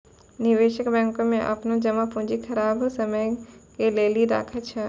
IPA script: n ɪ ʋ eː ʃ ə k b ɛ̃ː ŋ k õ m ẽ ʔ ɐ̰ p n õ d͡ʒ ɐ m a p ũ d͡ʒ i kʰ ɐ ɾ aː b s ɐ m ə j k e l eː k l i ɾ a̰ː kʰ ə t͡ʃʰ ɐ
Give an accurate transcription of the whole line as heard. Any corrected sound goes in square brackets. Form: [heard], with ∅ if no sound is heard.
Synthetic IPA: n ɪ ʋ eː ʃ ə k b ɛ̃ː ŋ k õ m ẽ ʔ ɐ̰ p n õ d͡ʒ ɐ m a p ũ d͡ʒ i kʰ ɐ ɾ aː b s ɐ m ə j k e l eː [∅] l i ɾ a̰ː kʰ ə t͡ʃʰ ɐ